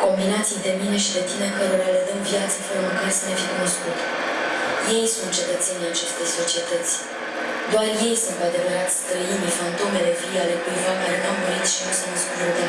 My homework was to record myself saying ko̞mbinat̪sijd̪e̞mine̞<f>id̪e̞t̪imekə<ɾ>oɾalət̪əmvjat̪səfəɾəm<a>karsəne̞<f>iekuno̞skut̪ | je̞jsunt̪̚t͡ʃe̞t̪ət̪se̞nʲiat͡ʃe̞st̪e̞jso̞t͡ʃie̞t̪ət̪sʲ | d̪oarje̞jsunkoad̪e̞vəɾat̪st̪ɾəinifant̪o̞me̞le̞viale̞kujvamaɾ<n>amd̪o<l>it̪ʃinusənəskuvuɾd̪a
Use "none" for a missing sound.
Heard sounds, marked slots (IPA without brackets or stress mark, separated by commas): ʃ, ɾ, ə, f, n, ɾ